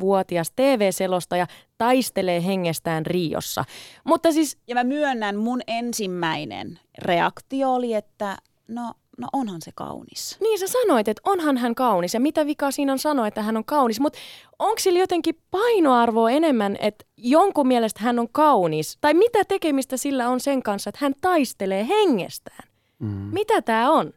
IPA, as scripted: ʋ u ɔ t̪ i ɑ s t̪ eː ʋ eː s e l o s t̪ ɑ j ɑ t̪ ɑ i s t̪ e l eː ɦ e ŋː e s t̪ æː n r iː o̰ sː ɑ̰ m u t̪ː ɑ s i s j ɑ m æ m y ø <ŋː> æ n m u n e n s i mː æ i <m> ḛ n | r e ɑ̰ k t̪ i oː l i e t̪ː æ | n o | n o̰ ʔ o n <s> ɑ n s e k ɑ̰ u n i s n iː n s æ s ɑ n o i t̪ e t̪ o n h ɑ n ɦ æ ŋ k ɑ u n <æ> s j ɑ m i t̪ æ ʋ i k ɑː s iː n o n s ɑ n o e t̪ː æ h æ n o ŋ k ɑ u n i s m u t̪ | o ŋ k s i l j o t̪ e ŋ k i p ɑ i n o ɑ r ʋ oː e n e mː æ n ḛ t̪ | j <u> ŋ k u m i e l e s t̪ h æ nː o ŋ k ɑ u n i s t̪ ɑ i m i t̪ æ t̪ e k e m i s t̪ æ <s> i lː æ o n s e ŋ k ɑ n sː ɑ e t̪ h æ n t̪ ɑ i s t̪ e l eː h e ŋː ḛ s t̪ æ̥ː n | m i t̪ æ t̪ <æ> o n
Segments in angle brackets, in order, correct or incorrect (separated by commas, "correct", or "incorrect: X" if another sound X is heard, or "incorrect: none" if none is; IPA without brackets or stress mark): incorrect: nː, incorrect: n, incorrect: h, incorrect: i, incorrect: o, correct, incorrect: æː